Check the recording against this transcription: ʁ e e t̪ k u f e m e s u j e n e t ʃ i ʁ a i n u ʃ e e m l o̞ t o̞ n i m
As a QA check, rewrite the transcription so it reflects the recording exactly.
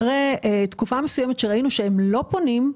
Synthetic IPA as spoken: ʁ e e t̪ k u f a m e s u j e m e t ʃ e ʁ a i n u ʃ e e m l o̞ p o̞ n i m